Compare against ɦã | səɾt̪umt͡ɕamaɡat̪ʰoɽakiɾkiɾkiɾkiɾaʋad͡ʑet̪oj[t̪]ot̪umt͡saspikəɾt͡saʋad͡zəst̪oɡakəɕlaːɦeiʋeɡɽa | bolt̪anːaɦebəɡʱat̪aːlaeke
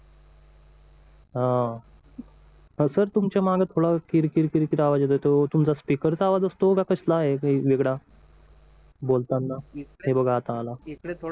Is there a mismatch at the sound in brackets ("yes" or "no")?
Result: no